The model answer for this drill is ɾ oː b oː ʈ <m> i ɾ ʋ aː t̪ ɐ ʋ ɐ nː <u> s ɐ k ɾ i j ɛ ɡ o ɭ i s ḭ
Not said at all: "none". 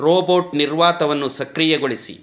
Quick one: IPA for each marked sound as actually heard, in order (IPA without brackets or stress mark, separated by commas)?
n, u